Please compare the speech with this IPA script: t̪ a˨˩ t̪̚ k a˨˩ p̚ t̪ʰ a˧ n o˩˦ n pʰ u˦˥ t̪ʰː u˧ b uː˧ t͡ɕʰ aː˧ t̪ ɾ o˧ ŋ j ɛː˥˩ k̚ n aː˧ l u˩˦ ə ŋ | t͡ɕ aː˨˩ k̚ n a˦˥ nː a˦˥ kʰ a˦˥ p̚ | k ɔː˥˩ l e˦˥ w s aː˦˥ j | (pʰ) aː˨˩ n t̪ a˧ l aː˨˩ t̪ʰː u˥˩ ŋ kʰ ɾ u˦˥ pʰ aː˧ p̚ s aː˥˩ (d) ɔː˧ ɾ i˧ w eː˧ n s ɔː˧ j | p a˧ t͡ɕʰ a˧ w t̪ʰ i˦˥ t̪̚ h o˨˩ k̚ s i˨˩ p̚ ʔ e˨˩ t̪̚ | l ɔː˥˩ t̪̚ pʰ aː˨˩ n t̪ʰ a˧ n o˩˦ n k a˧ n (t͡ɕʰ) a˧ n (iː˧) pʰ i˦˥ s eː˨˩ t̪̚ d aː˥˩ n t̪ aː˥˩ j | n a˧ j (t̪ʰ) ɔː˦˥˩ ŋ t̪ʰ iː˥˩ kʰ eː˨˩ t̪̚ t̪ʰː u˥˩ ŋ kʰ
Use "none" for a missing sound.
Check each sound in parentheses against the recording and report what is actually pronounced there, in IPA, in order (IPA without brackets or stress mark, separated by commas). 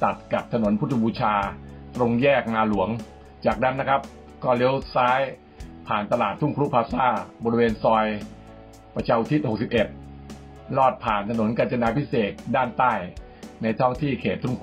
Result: pʰ, b, t͡ɕ, aː˧, t̪ʰ